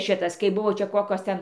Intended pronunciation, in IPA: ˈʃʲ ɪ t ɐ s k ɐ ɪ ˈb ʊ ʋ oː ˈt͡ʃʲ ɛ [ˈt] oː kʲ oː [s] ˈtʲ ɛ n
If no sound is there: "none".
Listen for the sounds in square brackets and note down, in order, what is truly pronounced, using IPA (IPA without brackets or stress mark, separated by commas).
k, s